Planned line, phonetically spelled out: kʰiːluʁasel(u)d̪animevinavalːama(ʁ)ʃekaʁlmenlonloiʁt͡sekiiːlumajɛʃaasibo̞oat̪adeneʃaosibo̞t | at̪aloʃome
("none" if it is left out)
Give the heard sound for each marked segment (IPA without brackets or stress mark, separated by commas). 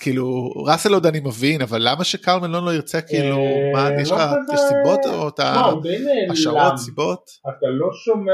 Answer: o, none